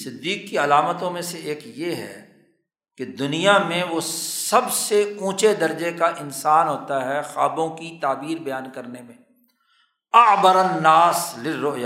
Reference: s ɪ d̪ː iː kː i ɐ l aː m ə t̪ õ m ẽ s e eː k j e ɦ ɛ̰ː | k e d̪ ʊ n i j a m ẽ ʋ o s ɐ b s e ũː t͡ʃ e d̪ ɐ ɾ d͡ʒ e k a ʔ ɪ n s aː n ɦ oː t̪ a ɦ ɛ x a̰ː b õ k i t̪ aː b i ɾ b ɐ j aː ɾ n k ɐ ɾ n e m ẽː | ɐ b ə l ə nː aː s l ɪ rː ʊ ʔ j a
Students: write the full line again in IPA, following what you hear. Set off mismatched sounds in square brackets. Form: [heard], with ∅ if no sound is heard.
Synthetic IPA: s ɪ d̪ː iː kː i ɐ l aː m ə t̪ õ m ẽ s e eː k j e ɦ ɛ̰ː | k e d̪ ʊ n i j a m ẽ ʋ o s ɐ b s e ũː t͡ʃ e d̪ ɐ ɾ d͡ʒ e k a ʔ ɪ n s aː n ɦ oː t̪ a ɦ ɛ x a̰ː b õ k i t̪ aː b [iː] ɾ b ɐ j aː [∅] n k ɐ ɾ n e m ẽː | ɐ b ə [ɾ] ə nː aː s l ɪ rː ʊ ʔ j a